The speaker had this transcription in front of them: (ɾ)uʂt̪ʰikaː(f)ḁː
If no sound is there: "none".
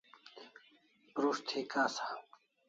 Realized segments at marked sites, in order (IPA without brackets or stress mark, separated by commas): ɾ, s